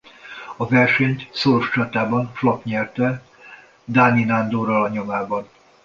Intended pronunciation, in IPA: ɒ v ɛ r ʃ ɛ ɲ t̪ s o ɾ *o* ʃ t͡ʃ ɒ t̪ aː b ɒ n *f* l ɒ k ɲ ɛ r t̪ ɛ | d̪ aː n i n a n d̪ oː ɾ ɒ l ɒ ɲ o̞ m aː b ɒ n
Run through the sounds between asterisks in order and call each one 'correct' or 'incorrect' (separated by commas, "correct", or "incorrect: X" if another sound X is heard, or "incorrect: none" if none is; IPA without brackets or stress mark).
correct, correct